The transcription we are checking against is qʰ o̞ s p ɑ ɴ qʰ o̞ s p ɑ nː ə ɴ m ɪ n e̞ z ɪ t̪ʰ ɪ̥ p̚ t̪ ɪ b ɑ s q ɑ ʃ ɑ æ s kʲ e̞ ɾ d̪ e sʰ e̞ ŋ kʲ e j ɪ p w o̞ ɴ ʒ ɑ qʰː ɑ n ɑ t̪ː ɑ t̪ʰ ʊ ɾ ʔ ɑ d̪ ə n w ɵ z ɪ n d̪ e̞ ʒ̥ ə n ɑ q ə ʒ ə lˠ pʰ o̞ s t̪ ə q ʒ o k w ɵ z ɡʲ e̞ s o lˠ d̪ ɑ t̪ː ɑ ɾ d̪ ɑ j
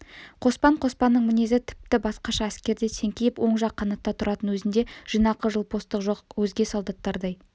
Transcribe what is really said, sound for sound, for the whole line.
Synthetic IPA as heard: qʰ o̞ s p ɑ ɴ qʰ o̞ s p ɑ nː ə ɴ m ɪ n e̞ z ɪ t̪ʰ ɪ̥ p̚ t̪ ɪ b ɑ s q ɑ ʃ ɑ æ s kʲ e̞ ɾ d̪ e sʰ e̞ ŋ kʲ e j ɪ p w o̞ ɴ ʒ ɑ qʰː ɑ n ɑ t̪ː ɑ t̪ʰ ʊ ɾ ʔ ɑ t̪ ə n w ɵ z ɪ n d̪ e̞ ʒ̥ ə n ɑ q ə ʒ ə lˠ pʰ o̞ s t̪ ə q ʒ o q w ɵ z ɡʲ e̞ s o lˠ d̪ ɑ t̪ː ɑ ɾ d̪ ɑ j